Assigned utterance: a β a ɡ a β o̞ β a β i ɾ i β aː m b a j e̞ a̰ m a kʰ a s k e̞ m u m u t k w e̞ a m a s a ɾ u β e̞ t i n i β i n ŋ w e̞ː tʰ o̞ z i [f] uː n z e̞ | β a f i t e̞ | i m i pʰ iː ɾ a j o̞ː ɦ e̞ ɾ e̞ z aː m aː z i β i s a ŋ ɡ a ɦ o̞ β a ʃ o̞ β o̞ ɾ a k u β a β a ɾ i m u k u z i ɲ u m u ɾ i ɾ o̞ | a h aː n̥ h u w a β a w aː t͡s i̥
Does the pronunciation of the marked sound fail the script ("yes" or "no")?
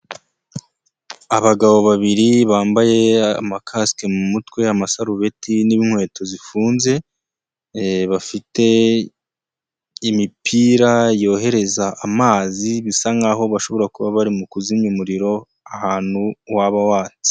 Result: no